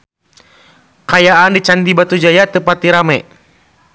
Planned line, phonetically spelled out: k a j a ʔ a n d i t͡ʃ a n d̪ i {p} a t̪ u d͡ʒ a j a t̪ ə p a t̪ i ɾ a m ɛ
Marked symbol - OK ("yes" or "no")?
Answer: no